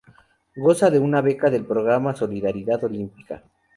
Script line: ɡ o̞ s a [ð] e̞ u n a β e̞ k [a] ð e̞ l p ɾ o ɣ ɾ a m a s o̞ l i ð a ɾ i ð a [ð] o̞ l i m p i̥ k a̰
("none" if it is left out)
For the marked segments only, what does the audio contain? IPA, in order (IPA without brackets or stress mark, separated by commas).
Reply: ð, a, ð